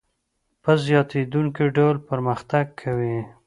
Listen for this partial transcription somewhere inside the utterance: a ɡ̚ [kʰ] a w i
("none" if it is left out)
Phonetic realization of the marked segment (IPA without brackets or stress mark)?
kʰ